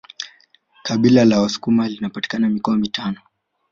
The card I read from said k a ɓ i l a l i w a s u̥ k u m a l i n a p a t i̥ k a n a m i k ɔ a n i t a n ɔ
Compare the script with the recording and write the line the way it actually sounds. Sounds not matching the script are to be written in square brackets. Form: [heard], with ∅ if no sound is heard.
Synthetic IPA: k a ɓ i l a l [a] w a s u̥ k u m a l i n a p a t i̥ k a n a m i k ɔ a [m] i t a n ɔ